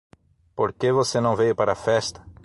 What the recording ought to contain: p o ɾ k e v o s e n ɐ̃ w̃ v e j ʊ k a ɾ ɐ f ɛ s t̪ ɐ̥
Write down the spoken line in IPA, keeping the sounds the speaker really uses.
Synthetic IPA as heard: p o ɾ k e v o s e n ɐ̃ w̃ v e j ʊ p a ɾ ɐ f ɛ s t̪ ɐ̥